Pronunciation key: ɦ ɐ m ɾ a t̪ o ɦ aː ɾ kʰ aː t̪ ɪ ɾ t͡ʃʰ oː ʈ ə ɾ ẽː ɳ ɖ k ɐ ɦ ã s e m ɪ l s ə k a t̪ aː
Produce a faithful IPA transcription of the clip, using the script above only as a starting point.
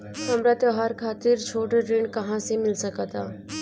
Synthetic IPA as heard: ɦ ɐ m ɾ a t̪ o ɦ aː ɾ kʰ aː t̪ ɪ ɾ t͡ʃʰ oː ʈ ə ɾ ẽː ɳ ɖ k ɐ ɦ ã s e m ɪ l s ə k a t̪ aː